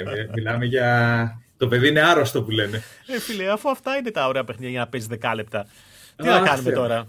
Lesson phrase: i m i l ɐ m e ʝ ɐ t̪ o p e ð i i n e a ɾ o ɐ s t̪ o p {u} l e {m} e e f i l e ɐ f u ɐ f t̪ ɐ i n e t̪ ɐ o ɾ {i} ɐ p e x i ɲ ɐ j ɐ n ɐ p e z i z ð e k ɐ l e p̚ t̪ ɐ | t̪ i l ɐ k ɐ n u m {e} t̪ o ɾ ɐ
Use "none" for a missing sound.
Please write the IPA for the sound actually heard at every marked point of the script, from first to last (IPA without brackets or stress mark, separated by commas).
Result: u, n, e, e